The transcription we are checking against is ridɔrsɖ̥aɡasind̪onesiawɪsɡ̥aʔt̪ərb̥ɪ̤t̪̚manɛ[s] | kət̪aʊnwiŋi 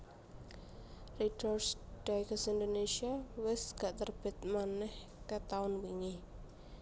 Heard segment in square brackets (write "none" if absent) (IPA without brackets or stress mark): h